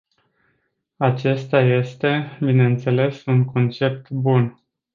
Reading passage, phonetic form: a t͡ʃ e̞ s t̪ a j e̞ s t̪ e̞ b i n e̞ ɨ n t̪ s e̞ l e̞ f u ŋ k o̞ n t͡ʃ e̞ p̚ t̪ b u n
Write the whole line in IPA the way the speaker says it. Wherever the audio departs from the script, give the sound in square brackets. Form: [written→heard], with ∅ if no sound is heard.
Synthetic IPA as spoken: a t͡ʃ e̞ s t̪ a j e̞ s t̪ e̞ b i n e̞ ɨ n t̪ s e̞ l e̞ [f→s] u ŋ k o̞ n t͡ʃ e̞ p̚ t̪ b u n